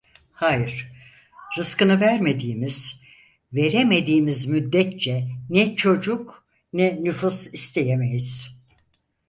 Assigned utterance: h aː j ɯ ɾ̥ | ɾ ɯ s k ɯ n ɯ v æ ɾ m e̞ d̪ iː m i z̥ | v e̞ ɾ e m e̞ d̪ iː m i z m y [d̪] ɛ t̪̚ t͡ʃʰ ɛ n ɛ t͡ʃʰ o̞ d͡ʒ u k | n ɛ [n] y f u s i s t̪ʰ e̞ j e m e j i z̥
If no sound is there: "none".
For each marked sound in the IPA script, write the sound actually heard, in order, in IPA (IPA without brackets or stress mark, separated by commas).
d̪ː, n